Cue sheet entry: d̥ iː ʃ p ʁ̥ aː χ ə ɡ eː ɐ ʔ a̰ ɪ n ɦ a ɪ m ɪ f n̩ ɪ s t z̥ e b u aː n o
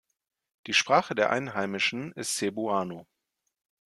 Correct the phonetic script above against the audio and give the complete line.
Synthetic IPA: d̥ iː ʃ p ʁ̥ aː χ ə d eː ɐ ʔ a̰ ɪ n ɦ a ɪ m ɪ ʃ n̩ ɪ s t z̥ e b u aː n o